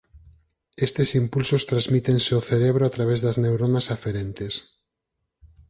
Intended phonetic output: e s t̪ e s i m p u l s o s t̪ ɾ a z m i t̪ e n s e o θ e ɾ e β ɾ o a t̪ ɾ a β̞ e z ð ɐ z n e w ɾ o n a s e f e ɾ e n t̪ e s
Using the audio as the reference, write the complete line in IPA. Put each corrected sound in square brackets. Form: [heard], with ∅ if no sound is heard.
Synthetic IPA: e s t̪ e s i m p u l s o s t̪ ɾ a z m i t̪ e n s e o θ e ɾ e β ɾ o a t̪ ɾ a β̞ e z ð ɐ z n e w ɾ o n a s [a] f e ɾ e n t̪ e s

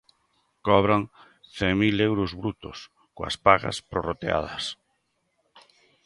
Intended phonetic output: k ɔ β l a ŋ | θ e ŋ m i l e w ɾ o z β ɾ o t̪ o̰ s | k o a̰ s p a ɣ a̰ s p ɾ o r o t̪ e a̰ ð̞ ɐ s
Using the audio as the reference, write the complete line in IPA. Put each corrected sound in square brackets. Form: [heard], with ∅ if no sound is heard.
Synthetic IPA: k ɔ β [ɾ] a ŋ | θ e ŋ m i l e w ɾ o z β ɾ [u] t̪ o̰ s | k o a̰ s p a ɣ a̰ s p ɾ o r o t̪ e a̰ ð̞ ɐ s

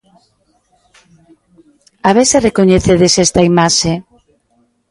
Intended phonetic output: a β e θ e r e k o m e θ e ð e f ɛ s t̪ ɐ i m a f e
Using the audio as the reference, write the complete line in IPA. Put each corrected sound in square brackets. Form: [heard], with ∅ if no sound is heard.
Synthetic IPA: a β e [s] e r e k o [ɲ] e θ e ð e [s] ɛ s t̪ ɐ i m a [ʃ] e

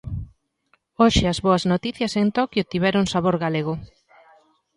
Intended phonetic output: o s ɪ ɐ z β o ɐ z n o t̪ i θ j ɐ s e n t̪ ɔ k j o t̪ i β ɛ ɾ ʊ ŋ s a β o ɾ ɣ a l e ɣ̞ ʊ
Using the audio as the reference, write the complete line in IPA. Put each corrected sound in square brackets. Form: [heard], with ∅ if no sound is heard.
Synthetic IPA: o [ʃ] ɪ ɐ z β o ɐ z n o t̪ i θ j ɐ s e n t̪ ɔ k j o t̪ i β ɛ ɾ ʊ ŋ s a β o ɾ ɣ a l e ɣ̞ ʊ

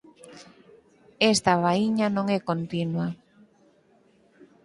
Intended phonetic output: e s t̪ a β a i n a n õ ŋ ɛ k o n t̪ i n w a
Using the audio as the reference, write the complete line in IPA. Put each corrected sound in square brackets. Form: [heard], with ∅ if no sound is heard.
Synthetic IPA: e s t̪ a β a i [ɲ] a n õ ŋ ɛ k o n t̪ i n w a

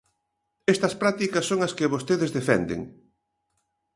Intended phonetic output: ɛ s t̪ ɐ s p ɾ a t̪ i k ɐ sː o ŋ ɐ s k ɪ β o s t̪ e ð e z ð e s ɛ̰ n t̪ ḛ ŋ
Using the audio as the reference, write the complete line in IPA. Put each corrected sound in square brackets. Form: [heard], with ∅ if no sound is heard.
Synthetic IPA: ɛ s t̪ ɐ s p ɾ a t̪ i k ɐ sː o ŋ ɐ s k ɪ β o s t̪ e ð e z ð e [f] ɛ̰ n [d̪] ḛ ŋ

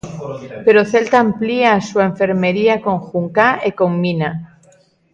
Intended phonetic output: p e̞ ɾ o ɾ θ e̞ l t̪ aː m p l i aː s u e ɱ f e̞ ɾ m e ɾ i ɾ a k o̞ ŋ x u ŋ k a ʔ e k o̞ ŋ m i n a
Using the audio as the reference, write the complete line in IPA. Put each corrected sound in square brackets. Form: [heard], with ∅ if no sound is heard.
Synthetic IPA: p e̞ ɾ o [∅] θ e̞ l t̪ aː m p l i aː s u e ɱ f e̞ ɾ m e ɾ i [∅] a k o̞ ŋ x u ŋ k a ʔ e k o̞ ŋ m i n a

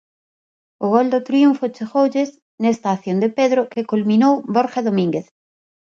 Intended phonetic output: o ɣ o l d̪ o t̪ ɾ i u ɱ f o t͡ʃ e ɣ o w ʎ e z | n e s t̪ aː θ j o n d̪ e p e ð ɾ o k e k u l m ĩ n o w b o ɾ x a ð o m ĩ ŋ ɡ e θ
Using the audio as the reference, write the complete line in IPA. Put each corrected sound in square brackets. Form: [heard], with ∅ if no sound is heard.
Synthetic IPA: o ɣ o l d̪ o t̪ ɾ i u ɱ f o t͡ʃ e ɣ o w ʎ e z | n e s t̪ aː θ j o n d̪ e p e ð ɾ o k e k u l m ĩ n o w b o ɾ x a ð o m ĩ ŋ ɡ e θ

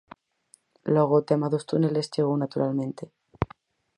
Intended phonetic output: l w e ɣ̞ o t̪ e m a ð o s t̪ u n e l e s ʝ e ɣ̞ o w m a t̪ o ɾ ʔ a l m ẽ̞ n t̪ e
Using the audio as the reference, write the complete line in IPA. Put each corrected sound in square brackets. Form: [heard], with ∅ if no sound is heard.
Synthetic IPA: l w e ɣ̞ o t̪ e m a ð o s t̪ u n e l e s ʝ e ɣ̞ o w [n] a t̪ [u] ɾ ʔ a l m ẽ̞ n t̪ e

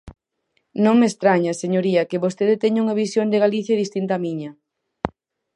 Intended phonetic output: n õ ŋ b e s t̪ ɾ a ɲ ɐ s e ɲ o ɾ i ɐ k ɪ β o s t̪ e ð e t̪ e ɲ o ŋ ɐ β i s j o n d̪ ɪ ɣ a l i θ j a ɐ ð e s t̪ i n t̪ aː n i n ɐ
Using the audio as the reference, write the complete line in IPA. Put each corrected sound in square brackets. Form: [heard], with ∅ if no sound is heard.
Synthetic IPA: n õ ŋ [m] e s t̪ ɾ a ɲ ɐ s e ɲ o ɾ i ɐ k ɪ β o s t̪ e ð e t̪ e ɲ [u] ŋ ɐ β i s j o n d̪ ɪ ɣ a l i θ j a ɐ ð [i] s t̪ i n t̪ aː [m] i [ɲ] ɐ

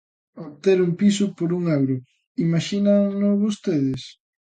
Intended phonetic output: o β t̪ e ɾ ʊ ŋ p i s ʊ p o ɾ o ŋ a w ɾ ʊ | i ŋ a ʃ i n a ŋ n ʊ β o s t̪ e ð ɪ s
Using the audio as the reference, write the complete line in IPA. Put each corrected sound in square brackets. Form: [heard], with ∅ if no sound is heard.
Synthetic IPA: o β t̪ e ɾ [u] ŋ p i s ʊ p o ɾ [u] ŋ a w ɾ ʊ | i [m] a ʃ i n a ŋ n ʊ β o s t̪ e ð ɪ s

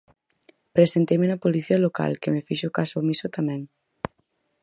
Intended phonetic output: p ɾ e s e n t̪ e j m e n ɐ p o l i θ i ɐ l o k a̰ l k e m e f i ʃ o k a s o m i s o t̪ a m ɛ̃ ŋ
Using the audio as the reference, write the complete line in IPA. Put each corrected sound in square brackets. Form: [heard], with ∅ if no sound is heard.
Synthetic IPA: p ɾ e s e n t̪ e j m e n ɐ p o l i θ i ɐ l o k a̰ l k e m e f i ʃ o k a s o m i s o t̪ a m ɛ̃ ŋ

